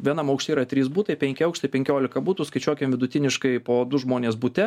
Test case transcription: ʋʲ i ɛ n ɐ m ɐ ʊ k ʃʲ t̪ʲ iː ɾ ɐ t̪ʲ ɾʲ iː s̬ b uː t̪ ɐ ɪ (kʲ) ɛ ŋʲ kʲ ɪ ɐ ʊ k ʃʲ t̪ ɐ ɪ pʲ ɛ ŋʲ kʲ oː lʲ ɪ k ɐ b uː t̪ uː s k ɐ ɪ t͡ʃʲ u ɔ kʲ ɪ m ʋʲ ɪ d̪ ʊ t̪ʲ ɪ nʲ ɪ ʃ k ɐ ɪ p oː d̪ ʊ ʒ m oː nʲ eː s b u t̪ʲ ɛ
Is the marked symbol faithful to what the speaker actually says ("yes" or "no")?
no